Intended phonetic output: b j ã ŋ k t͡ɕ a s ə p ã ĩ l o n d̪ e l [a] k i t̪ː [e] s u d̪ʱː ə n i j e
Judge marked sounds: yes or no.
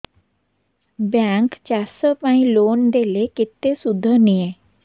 no, yes

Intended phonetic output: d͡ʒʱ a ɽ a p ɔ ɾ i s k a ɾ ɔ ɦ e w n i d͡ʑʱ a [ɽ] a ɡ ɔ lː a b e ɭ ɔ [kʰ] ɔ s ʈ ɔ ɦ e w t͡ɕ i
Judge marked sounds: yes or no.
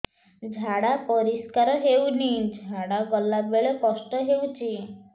yes, no

